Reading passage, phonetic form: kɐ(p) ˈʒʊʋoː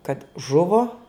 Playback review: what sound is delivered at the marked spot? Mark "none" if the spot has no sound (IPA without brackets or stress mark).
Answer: t